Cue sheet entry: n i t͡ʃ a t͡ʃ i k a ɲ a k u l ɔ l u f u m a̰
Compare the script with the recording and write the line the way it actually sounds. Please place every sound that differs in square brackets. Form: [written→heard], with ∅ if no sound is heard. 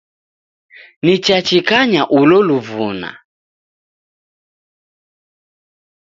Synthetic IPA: n i t͡ʃ a t͡ʃ i k a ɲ a [k→ʔ] u l ɔ l u [f→v] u [m→n] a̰